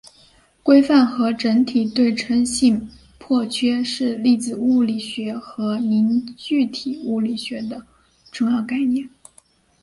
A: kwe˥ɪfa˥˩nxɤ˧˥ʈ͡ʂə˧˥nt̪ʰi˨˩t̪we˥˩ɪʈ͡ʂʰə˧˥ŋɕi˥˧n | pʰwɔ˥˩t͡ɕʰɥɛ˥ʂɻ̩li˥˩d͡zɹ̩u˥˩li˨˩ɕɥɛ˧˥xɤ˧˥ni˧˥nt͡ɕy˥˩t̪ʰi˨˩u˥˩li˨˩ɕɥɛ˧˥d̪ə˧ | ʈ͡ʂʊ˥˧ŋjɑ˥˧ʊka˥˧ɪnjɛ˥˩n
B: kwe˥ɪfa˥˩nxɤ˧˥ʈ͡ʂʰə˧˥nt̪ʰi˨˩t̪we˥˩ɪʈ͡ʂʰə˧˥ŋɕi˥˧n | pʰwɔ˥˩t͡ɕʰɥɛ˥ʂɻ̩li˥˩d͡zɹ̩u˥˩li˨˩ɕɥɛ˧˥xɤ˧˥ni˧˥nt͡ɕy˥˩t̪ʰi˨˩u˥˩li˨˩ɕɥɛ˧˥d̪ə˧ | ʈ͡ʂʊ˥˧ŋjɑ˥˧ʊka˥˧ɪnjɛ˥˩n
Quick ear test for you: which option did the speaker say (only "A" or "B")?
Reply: A